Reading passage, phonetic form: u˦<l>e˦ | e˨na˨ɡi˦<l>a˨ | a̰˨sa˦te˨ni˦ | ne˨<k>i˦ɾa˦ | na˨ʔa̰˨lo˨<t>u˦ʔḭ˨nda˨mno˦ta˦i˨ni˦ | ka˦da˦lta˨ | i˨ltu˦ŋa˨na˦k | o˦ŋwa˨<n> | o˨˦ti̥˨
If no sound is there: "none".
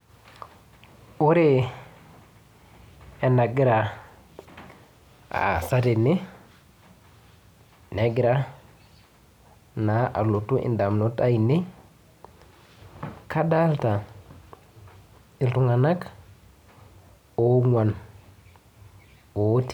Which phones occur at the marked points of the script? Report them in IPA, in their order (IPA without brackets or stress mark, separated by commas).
ɾ, ɾ, ɡ, t, n